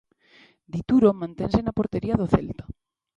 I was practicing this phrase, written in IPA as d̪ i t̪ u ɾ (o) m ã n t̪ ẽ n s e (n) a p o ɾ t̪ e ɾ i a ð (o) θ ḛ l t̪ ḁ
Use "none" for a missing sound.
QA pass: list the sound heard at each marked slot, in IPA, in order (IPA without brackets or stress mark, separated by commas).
o, n, o